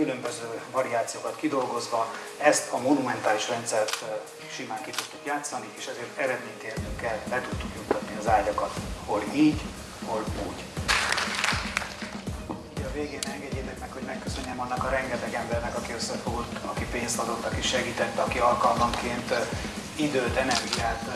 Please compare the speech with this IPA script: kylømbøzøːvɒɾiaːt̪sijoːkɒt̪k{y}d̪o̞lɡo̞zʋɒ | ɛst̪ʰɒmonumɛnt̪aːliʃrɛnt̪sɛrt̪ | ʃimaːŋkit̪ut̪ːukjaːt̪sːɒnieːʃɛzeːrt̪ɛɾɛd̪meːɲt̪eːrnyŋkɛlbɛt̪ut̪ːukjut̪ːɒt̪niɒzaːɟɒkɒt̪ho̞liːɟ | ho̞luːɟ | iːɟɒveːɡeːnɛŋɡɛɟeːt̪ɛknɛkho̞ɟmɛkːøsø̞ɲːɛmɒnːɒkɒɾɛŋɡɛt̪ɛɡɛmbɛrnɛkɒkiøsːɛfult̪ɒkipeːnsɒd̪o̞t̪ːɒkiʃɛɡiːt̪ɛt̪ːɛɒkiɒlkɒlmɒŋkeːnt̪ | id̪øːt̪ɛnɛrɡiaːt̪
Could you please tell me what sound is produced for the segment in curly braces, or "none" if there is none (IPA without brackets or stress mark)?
i